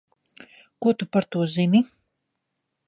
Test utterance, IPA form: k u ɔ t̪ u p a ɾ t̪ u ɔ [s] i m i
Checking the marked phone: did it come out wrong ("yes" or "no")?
yes